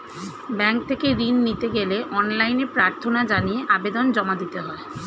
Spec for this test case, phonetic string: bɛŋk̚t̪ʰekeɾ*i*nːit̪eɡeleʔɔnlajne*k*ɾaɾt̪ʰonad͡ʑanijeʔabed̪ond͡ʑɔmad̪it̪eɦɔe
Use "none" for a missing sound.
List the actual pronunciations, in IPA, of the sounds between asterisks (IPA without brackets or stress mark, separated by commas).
i, p